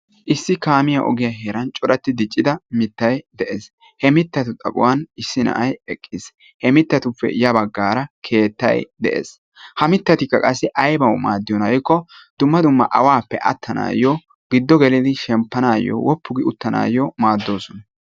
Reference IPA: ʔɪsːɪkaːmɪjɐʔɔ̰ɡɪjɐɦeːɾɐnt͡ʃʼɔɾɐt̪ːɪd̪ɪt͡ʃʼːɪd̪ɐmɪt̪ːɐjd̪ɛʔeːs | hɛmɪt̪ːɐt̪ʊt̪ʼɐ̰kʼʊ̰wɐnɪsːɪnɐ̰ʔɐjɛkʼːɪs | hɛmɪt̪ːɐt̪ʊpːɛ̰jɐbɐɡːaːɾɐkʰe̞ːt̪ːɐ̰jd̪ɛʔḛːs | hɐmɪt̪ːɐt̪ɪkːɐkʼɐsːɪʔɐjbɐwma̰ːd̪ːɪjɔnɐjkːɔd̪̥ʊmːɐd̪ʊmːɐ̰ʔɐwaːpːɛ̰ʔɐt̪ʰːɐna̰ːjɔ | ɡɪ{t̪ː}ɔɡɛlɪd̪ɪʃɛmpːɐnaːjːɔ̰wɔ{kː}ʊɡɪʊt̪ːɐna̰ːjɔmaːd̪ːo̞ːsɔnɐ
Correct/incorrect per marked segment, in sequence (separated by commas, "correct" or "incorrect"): incorrect, incorrect